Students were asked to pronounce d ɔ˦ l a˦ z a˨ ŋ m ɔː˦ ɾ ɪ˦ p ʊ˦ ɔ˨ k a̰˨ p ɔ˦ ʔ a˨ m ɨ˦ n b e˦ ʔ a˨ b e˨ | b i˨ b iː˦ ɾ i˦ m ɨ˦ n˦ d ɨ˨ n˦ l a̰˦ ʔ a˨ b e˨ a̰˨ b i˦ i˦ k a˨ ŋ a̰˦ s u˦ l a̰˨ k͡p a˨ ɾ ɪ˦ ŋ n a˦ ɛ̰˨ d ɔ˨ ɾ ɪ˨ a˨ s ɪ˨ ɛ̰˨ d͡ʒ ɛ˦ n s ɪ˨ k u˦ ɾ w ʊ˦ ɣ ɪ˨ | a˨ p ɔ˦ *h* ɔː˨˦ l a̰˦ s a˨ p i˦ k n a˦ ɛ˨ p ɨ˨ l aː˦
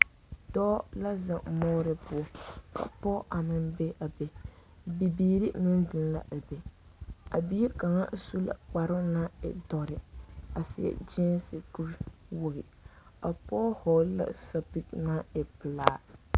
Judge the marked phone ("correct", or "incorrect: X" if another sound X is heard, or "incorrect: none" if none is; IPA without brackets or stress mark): correct